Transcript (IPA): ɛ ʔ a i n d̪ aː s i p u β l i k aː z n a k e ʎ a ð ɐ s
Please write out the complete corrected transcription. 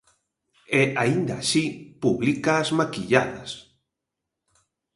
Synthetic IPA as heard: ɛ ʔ a i n d̪ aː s i p u β l i k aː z m a k i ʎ a ð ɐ s